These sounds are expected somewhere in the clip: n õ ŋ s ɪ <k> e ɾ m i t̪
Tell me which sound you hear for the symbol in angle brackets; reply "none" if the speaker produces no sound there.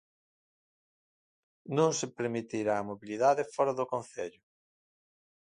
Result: p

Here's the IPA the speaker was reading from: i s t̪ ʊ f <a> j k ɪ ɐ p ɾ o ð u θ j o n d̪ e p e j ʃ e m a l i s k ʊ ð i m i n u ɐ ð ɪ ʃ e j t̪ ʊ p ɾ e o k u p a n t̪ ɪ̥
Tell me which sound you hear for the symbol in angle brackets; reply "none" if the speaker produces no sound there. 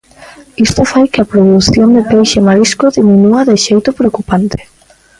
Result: a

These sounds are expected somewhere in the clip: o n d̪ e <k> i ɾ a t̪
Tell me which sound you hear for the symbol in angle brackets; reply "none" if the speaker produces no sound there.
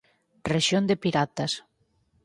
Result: p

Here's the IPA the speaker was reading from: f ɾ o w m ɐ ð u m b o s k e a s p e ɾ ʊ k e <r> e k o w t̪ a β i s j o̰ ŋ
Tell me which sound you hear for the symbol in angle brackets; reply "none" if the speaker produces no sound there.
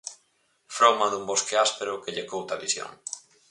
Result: ʎ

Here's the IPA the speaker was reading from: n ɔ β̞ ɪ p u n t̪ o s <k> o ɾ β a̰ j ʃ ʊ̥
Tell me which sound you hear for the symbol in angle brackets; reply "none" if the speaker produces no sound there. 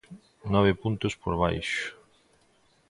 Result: p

